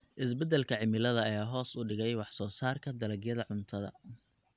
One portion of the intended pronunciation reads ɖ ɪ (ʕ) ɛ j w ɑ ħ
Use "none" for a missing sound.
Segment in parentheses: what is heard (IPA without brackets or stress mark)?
ɣ